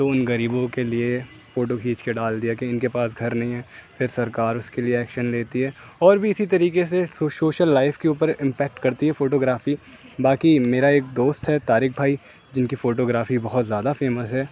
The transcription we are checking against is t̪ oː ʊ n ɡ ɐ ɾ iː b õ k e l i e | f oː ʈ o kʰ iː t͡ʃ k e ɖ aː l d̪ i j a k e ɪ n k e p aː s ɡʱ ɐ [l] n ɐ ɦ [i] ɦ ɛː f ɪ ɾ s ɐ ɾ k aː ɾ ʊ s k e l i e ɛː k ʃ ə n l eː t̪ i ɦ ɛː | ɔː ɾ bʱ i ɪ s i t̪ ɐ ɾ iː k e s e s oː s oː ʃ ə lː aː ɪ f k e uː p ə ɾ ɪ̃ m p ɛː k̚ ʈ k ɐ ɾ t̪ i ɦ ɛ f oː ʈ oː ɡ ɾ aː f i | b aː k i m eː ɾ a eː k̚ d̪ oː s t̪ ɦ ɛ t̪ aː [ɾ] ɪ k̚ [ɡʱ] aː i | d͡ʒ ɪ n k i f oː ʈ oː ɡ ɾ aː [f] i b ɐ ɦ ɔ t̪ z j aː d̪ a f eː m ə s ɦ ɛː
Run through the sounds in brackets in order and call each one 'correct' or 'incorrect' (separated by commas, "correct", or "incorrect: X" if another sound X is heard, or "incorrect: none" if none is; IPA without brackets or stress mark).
incorrect: ɾ, incorrect: ĩ, correct, incorrect: bʱ, correct